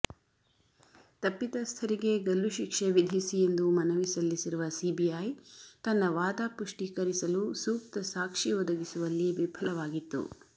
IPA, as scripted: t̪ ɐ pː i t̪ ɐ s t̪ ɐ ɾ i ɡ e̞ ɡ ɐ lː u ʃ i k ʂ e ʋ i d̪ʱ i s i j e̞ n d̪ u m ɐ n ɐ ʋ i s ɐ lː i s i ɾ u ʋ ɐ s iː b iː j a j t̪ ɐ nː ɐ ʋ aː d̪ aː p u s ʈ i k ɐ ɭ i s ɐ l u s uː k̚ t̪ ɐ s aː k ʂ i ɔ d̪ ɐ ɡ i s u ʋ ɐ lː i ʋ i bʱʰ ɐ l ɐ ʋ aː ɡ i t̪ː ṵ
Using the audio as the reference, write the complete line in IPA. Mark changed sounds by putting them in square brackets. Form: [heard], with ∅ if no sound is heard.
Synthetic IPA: t̪ ɐ pː i t̪ ɐ s [t̪ʰ] ɐ ɾ i ɡ e̞ ɡ ɐ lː u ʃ i k ʂ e ʋ i d̪ʱ i s i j e̞ n d̪ u m ɐ n ɐ ʋ i s ɐ lː i s i ɾ u ʋ ɐ s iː b [i] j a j t̪ ɐ nː ɐ ʋ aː d̪ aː p u [ʂ] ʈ i k ɐ [ɾ] i s ɐ l u s uː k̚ t̪ ɐ s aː k ʂ i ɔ d̪ ɐ ɡ i s u ʋ ɐ lː i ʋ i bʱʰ ɐ l ɐ ʋ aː ɡ i t̪ː ṵ